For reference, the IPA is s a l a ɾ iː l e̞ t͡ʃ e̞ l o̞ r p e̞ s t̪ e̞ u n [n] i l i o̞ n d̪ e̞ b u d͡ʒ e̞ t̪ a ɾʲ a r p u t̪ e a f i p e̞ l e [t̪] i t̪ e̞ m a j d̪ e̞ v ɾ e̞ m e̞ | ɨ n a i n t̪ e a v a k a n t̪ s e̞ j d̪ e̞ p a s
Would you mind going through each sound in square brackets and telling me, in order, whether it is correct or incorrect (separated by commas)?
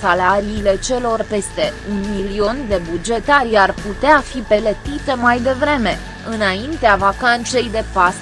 incorrect, correct